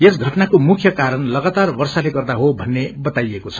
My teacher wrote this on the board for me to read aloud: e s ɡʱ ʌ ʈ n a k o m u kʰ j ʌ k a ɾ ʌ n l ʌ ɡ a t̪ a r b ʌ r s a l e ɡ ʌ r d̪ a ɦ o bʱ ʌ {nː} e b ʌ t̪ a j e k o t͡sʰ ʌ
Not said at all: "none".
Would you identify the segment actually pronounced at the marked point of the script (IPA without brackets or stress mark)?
nː